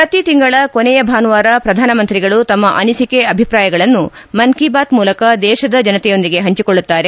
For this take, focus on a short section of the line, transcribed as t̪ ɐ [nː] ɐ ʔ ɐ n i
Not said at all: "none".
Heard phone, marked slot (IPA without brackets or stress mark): mː